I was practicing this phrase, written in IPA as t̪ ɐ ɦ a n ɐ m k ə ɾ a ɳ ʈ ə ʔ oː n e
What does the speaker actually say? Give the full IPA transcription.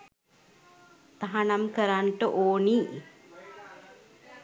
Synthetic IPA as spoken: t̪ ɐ ɦ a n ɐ m k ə ɾ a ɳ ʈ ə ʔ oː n i